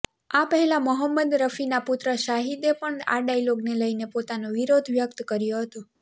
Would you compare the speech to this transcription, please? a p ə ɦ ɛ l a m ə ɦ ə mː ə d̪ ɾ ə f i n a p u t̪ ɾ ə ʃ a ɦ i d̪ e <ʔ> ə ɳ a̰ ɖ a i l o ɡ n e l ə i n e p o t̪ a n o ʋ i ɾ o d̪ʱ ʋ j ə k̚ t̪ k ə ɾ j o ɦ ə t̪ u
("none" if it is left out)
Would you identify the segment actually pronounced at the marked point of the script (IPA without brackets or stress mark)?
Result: p